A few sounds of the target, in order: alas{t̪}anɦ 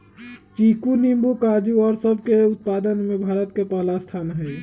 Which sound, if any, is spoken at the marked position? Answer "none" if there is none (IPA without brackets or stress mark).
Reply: t̪ʰ